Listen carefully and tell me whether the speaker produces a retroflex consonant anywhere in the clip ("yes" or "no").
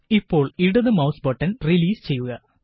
yes